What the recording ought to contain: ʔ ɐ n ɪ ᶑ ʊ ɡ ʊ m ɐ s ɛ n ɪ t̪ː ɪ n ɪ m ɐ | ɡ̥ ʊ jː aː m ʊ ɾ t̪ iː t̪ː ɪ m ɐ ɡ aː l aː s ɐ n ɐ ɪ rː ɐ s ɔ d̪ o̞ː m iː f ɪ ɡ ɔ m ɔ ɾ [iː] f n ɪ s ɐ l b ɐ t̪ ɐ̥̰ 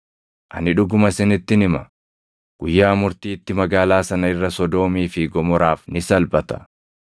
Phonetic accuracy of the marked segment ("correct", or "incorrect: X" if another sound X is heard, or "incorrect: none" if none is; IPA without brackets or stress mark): incorrect: aː